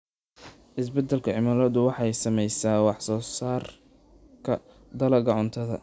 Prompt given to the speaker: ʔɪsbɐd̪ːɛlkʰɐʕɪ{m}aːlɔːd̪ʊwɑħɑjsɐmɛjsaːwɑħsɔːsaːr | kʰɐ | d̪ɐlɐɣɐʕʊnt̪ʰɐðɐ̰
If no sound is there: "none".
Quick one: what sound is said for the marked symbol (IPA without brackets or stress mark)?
m